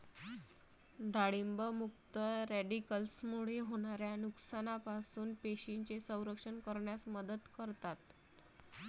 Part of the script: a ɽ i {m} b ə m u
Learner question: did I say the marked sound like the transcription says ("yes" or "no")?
yes